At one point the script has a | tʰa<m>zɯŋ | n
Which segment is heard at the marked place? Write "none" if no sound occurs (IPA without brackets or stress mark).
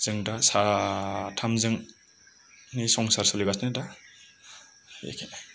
m